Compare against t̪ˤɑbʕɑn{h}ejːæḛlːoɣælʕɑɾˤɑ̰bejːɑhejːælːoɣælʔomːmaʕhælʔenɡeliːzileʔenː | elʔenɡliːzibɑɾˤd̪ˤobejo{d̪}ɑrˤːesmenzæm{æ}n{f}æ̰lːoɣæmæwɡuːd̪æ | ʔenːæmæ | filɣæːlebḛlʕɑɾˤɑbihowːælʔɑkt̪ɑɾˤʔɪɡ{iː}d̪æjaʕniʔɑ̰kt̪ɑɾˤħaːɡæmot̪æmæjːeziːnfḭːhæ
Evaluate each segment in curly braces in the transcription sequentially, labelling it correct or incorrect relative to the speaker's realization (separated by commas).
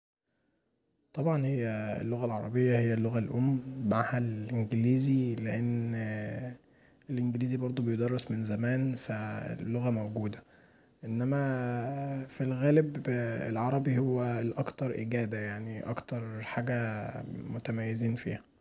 correct, correct, incorrect, correct, incorrect